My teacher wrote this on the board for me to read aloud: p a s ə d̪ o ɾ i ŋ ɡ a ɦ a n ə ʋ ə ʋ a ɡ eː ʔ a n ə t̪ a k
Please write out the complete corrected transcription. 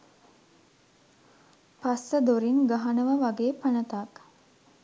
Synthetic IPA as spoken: p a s ə d̪ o ɾ i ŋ ɡ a ɦ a n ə ʋ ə ʋ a ɡ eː p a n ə t̪ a k